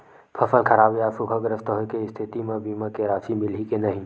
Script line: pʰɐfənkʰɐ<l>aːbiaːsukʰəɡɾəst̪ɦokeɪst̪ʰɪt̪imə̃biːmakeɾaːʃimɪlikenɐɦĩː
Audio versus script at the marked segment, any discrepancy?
yes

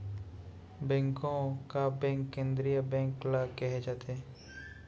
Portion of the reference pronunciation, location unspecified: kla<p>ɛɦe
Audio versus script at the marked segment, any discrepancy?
yes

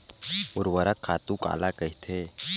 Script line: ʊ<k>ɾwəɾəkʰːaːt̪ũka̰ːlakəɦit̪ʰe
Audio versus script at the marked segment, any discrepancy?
yes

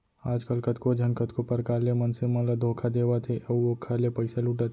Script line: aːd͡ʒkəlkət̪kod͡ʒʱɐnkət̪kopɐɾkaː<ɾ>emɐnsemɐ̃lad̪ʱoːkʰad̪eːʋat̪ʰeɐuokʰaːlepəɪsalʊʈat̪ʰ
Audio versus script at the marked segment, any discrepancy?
yes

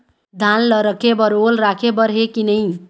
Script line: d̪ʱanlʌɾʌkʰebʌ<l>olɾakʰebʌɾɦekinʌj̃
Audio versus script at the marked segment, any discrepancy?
yes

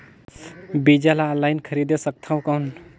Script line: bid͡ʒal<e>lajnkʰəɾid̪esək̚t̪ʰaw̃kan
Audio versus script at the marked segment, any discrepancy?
yes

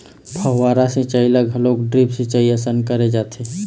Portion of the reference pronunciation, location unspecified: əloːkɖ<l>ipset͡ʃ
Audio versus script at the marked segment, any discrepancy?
yes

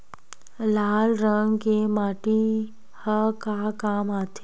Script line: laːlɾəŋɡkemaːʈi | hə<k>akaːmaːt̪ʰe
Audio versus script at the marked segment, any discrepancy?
no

